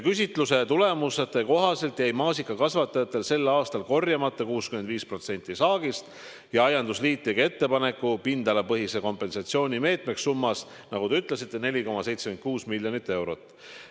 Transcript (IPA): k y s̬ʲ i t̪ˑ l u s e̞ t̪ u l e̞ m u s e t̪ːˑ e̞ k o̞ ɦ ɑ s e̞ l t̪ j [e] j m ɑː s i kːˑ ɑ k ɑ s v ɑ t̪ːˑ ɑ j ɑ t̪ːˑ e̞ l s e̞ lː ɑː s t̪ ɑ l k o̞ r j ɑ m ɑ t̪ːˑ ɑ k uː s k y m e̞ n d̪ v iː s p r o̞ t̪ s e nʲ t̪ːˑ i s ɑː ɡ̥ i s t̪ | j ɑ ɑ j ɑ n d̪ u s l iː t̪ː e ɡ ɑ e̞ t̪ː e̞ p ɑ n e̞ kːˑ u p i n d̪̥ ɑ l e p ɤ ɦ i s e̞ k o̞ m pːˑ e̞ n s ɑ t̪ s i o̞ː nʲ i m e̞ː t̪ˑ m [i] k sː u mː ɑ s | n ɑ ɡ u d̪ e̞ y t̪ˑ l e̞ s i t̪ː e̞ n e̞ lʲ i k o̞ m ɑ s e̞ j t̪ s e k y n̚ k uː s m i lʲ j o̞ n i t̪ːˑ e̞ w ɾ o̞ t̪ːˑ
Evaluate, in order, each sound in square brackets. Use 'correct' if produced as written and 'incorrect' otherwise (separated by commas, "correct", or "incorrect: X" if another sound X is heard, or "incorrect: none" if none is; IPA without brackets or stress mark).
incorrect: æ, incorrect: e